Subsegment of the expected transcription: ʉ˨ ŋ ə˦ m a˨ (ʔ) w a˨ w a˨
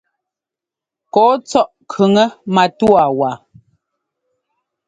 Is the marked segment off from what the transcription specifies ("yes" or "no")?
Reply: yes